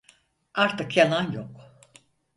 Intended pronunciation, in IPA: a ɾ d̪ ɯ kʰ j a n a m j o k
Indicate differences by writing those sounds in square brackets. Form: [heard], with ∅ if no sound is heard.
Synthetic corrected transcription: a ɾ [t̪] ɯ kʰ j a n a [n] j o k